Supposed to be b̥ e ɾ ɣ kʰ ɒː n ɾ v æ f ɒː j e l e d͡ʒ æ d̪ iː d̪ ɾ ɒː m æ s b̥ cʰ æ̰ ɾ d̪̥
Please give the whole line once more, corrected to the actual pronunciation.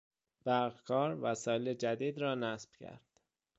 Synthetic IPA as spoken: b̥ æ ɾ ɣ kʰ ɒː ɾ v æ s ɒː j e l e d͡ʒ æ d̪ iː d̪ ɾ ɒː n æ s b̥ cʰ æ̰ ɾ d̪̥